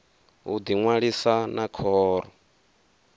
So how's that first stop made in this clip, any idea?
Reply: plain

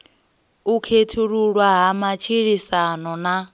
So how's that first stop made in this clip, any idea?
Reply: aspirated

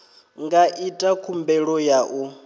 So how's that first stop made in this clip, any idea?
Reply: plain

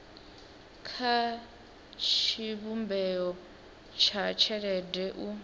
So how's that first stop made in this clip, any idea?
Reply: aspirated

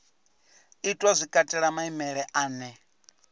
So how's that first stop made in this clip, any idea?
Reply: ejective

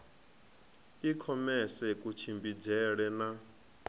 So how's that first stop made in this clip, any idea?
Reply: aspirated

